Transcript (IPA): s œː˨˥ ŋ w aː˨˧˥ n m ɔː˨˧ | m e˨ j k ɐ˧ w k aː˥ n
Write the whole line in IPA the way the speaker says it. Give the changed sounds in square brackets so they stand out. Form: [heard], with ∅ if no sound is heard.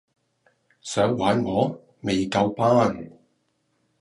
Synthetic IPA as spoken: s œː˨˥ ŋ w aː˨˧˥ n [ŋ] ɔː˨˧ | m e˨ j k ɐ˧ w [p] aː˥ n

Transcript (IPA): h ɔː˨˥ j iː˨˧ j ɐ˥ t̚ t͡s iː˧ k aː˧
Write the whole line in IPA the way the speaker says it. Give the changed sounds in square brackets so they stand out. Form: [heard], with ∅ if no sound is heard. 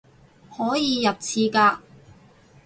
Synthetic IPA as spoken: h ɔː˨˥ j iː˨˧ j [ɐ˨] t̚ [t͡sʰ] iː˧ k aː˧

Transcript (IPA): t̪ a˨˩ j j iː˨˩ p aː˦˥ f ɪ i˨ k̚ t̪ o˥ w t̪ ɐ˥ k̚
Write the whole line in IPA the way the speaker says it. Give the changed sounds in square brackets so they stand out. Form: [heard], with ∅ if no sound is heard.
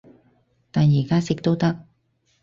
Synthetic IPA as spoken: t̪ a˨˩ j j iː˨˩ [k] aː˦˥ [s] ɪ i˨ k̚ t̪ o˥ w t̪ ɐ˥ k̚

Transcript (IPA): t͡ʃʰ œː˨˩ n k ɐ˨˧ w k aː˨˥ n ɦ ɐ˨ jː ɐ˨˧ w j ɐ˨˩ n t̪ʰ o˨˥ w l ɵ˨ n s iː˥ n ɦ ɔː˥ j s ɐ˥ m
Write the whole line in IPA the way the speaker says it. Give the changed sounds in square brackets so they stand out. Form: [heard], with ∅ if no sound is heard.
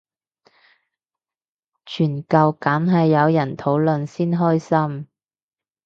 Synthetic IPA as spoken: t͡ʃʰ [yː˨˩] n k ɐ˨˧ w k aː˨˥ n ɦ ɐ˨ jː ɐ˨˧ w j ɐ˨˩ n t̪ʰ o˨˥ w l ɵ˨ n s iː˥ n ɦ ɔː˥ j s ɐ˥ m

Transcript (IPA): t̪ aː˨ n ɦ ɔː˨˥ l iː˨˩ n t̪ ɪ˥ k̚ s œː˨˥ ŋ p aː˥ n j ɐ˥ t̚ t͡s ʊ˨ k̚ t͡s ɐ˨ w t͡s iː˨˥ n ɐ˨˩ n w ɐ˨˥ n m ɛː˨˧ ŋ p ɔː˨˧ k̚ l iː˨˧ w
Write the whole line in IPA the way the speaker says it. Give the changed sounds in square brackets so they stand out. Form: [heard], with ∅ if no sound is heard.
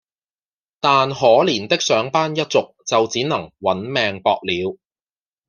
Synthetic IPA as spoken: t̪ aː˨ n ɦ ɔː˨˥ l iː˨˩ n t̪ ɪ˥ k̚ s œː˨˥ ŋ p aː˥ n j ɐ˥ t̚ t͡s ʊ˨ k̚ t͡s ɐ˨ w t͡s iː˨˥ n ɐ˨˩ [ŋ] w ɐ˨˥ n m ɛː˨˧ ŋ p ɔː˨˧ k̚ l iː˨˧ w

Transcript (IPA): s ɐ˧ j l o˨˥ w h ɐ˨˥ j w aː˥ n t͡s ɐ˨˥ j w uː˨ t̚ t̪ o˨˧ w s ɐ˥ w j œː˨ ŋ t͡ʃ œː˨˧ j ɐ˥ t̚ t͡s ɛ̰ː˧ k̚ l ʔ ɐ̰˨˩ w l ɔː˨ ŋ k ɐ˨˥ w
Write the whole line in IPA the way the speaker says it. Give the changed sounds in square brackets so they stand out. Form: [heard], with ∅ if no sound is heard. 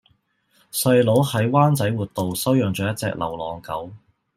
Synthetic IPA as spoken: s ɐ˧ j l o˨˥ w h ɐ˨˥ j w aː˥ n t͡s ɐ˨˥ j w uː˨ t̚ t̪ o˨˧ w s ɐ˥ w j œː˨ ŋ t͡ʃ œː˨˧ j ɐ˥ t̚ t͡s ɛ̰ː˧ k̚ l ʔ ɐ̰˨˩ w l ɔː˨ ŋ k ɐ˨˥ w

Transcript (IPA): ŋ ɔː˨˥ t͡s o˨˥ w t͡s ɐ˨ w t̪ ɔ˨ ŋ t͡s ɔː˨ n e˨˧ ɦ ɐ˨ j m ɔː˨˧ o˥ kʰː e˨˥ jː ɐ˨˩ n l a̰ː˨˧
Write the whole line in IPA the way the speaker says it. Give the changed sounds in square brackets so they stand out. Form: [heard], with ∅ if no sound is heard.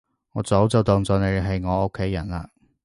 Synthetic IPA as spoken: ŋ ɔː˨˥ t͡s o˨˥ w t͡s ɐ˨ w t̪ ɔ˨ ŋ t͡s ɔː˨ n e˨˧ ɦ ɐ˨ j [ŋ] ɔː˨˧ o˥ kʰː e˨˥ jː ɐ˨˩ n l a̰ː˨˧

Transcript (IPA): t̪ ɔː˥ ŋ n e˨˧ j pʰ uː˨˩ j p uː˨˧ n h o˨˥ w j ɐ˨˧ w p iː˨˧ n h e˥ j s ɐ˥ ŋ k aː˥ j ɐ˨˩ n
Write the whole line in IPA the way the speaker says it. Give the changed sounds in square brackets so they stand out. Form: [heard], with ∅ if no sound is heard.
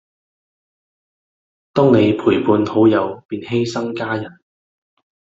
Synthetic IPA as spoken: t̪ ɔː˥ ŋ n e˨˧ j pʰ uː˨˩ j p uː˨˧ n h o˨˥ w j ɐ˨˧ w p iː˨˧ n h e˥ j s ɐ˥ ŋ k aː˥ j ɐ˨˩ n

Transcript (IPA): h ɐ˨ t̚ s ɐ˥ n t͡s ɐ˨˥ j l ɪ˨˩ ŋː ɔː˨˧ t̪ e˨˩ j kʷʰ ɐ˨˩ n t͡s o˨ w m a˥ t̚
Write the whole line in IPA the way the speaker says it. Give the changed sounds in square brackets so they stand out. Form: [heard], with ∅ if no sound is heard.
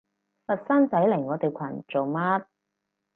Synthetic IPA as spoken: [f] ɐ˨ t̚ s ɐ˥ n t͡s ɐ˨˥ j l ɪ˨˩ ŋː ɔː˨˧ t̪ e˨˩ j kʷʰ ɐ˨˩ n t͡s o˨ w m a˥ t̚

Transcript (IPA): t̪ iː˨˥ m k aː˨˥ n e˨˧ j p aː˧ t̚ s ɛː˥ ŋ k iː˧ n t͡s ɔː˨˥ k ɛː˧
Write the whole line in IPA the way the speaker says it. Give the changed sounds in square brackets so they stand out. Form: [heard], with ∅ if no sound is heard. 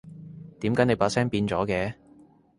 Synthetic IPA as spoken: t̪ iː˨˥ m k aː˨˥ n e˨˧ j p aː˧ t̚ s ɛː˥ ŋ [p] iː˧ n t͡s ɔː˨˥ k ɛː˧

